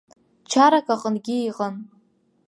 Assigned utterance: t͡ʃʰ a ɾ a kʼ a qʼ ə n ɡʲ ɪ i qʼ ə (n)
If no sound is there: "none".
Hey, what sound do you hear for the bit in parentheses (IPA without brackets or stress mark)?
n